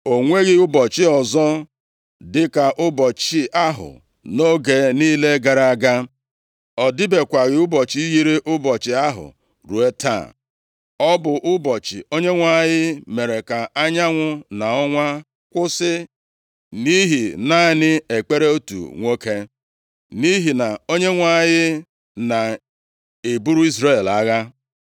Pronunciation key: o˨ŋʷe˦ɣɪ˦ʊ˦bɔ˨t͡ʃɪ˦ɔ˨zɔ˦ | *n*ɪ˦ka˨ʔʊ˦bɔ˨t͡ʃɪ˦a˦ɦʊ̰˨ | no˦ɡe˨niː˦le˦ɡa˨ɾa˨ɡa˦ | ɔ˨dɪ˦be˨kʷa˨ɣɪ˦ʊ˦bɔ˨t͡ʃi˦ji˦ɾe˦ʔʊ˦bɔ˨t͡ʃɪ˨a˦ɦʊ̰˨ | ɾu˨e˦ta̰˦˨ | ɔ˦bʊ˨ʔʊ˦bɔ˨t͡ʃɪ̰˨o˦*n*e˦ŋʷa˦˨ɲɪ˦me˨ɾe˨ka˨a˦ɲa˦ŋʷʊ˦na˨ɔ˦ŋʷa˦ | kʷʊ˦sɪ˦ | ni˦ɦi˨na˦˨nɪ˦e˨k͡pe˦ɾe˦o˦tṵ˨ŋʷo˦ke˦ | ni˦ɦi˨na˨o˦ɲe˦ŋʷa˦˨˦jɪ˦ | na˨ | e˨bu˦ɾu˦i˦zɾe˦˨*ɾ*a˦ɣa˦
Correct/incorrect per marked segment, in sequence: incorrect: d, incorrect: ɲ, incorrect: l

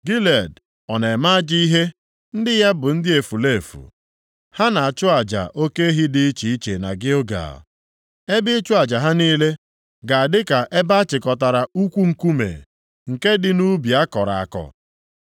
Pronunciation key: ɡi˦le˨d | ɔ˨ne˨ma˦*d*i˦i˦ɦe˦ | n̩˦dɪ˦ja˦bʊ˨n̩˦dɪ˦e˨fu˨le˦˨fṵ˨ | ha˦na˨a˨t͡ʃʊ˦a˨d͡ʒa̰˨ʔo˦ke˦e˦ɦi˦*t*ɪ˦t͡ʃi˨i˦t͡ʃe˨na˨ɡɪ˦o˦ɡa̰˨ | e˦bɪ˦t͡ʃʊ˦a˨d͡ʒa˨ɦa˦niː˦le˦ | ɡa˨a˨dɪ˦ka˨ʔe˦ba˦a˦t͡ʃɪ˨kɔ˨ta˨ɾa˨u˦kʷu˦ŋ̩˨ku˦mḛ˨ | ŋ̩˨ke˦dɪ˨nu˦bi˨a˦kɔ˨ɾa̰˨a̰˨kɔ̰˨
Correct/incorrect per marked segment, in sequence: incorrect: d͡ʒ, incorrect: d

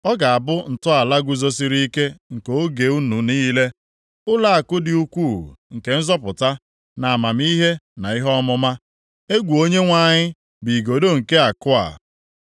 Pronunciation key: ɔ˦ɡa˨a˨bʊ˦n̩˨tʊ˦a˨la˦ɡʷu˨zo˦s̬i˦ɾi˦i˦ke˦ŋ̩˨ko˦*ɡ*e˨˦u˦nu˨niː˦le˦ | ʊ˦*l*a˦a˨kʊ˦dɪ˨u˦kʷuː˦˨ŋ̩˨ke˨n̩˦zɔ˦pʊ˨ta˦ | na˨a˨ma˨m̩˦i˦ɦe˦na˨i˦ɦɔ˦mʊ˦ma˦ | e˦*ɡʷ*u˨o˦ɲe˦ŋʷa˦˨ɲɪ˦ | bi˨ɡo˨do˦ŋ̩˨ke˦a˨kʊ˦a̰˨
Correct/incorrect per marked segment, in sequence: correct, correct, correct

